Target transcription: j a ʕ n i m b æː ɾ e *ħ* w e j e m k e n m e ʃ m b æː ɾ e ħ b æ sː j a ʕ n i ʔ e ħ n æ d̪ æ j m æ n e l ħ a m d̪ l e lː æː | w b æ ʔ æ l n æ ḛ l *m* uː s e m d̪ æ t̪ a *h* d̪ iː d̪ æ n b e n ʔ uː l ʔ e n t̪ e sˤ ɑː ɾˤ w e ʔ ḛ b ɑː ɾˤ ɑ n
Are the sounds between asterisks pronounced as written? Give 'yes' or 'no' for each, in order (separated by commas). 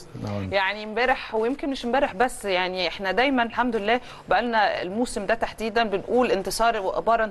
yes, yes, no